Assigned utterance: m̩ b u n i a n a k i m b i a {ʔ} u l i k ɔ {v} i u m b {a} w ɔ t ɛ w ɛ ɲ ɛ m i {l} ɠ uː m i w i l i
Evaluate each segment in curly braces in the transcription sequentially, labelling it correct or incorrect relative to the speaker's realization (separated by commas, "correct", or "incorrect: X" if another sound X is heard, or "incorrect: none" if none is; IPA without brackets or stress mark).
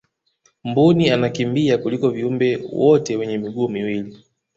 incorrect: k, correct, incorrect: ɛ, incorrect: none